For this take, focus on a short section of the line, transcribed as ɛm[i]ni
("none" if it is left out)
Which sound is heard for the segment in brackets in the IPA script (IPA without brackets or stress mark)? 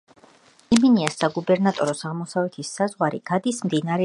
i